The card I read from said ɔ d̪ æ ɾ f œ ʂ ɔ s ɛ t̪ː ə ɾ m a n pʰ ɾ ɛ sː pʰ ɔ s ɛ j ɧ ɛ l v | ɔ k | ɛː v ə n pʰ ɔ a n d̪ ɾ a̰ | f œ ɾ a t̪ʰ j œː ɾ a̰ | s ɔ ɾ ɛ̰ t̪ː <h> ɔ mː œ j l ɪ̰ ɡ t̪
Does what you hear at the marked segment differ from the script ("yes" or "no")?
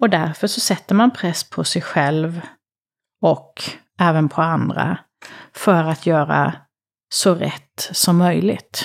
yes